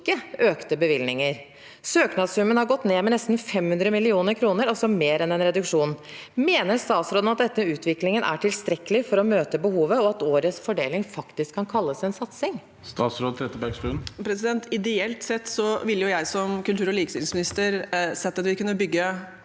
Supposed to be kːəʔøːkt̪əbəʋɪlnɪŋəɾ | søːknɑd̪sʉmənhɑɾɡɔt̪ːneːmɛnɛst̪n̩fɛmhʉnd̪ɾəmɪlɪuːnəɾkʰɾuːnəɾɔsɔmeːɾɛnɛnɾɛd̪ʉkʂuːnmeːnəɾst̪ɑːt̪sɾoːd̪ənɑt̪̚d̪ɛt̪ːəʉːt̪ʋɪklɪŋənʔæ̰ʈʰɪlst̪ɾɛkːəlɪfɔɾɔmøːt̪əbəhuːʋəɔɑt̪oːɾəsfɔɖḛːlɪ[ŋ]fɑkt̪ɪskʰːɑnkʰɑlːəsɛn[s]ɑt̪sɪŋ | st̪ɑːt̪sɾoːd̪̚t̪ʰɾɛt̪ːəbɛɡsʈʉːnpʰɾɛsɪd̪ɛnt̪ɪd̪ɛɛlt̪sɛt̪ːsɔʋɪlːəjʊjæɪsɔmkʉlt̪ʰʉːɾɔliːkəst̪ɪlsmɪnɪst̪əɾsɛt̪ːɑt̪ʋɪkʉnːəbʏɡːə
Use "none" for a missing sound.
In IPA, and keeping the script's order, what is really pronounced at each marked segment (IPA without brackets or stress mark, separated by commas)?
ŋ, s